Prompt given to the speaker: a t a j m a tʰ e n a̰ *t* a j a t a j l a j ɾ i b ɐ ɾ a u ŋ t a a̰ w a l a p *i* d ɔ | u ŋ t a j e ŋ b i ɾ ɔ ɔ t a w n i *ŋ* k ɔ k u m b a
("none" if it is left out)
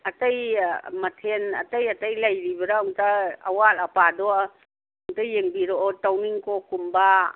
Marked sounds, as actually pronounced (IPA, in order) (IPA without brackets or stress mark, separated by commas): t, a, ŋ